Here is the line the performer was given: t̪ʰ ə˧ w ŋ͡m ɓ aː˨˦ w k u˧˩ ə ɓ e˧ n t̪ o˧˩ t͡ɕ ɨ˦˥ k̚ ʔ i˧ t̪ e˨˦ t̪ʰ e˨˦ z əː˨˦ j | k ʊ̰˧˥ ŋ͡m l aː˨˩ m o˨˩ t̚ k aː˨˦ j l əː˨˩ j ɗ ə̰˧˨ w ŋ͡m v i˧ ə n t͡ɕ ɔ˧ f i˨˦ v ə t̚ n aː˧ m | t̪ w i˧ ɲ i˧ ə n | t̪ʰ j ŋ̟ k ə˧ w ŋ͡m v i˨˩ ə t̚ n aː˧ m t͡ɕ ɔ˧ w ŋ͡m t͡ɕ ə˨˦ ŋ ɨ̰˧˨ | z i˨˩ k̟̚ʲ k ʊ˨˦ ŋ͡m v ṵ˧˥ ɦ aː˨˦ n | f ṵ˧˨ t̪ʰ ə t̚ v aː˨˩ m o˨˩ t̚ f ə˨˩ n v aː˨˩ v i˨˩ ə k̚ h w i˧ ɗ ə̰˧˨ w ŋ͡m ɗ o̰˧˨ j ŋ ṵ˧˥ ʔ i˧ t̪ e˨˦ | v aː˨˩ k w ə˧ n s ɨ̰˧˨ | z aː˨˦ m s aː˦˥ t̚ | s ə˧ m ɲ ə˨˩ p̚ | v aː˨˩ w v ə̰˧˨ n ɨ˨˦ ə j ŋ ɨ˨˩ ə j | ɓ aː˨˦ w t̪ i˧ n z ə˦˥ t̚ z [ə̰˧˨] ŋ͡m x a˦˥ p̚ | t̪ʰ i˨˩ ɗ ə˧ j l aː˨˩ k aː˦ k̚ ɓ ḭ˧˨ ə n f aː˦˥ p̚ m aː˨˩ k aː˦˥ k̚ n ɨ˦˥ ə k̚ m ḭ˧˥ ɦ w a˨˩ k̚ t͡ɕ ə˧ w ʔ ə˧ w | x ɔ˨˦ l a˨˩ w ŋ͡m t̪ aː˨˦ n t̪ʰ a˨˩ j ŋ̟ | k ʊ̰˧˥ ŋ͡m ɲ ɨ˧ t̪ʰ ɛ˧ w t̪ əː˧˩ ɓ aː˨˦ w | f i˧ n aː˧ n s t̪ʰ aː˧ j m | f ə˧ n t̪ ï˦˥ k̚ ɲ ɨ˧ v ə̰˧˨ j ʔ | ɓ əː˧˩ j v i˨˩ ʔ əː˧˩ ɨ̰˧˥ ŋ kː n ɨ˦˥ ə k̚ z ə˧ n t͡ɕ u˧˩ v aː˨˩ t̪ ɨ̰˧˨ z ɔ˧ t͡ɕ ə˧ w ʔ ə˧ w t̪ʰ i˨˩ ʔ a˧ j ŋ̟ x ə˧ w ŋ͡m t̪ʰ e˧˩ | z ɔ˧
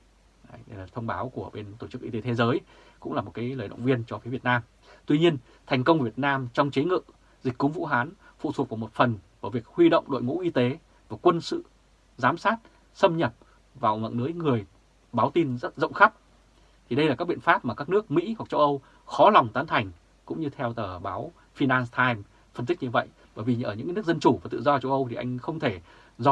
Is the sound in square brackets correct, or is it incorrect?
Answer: correct